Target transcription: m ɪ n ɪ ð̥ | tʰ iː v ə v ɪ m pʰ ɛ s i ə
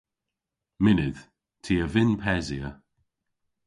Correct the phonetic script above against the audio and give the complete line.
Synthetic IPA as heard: m ɪ n ɪ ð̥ | tʰ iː ə v ɪ n pʰ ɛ z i ə